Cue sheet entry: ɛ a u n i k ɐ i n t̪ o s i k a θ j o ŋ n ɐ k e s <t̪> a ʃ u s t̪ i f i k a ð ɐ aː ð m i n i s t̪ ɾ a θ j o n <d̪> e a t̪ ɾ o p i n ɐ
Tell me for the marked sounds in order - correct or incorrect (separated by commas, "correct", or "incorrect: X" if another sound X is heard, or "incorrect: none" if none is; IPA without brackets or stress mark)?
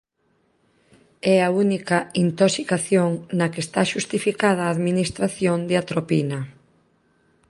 correct, correct